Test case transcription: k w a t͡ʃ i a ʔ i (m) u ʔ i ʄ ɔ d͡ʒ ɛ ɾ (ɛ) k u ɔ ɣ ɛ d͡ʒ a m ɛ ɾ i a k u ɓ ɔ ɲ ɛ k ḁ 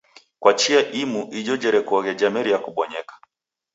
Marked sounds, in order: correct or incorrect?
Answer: correct, correct

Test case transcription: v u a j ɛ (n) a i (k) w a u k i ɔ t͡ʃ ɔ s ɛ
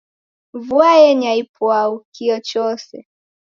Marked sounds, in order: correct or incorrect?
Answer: incorrect: ɲ, incorrect: p

